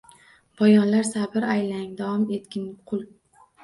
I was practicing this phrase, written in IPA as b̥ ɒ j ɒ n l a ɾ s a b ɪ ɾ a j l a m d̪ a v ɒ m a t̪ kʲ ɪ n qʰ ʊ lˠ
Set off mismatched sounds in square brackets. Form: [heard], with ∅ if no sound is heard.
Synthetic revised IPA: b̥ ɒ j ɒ n l a ɾ s a b ɪ ɾ a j l a [ŋ] d̪ a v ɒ m [e] t̪ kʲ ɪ n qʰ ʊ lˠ